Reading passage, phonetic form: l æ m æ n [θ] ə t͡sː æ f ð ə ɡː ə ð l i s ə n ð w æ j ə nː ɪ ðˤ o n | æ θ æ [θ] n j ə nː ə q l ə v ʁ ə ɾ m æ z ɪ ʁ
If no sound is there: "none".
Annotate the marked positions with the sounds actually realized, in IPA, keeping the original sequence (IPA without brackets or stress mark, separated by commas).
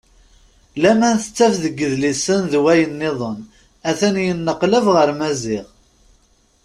θ, none